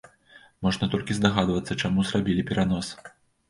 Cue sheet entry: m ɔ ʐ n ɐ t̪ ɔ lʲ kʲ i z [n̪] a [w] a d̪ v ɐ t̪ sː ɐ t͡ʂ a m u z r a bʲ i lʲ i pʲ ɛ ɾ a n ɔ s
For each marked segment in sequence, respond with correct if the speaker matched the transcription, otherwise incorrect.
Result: incorrect, incorrect

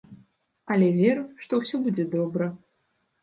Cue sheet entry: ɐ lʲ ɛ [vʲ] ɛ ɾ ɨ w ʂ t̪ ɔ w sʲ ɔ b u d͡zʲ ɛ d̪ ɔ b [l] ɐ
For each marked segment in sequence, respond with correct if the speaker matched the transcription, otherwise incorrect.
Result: correct, incorrect

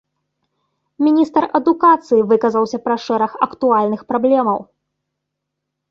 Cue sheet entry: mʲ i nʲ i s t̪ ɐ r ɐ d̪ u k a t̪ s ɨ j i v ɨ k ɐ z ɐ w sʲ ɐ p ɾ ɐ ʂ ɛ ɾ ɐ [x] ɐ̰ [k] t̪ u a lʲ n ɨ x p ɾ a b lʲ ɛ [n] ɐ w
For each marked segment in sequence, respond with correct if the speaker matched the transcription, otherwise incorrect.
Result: correct, correct, incorrect

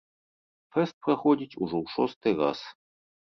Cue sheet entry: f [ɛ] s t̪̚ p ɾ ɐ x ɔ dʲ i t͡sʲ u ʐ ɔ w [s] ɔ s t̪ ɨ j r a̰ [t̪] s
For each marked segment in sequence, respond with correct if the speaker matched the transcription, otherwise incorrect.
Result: correct, incorrect, incorrect

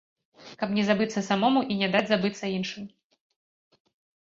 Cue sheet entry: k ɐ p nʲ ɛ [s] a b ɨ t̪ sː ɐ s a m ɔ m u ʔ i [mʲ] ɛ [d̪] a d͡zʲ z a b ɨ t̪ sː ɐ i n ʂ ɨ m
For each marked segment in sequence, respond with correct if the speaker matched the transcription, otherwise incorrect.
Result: incorrect, incorrect, correct

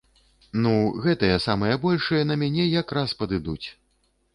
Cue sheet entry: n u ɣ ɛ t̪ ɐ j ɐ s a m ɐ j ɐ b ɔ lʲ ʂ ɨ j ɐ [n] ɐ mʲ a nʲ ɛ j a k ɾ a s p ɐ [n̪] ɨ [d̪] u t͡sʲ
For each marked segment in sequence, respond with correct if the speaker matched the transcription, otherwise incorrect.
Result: correct, incorrect, correct

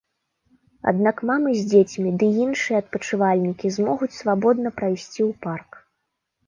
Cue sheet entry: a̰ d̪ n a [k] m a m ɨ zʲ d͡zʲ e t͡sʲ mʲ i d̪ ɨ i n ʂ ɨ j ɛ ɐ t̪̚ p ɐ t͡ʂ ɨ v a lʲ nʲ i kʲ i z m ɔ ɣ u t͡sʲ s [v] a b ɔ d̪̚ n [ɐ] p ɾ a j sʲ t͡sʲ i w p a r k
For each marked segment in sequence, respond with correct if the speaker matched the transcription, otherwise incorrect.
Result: correct, correct, correct

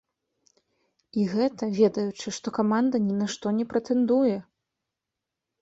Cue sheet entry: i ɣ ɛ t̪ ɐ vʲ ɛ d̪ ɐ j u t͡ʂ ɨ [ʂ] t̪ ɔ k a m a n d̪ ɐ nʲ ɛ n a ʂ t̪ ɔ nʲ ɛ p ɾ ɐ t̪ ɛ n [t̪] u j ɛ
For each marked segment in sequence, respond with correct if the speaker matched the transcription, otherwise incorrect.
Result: correct, incorrect

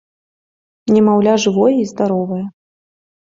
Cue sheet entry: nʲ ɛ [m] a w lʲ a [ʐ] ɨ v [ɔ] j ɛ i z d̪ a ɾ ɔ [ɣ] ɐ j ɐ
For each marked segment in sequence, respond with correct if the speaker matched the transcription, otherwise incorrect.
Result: correct, correct, correct, incorrect

